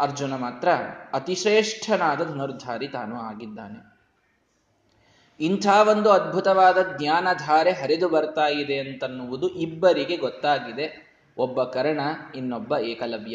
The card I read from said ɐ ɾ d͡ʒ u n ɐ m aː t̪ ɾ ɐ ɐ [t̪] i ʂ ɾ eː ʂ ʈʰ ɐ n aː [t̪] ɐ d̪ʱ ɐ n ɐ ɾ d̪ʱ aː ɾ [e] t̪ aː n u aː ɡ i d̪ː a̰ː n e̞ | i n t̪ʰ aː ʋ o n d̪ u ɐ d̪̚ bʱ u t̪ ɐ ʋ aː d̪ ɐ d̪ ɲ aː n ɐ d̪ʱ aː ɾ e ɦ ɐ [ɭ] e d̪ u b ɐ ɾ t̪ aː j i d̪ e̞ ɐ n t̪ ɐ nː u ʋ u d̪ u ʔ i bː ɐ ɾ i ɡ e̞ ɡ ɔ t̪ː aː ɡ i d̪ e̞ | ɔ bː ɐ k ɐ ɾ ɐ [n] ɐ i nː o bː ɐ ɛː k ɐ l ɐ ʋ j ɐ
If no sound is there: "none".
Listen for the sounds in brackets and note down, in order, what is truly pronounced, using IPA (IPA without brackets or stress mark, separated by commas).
t̪, d̪, i, ɾ, ɳ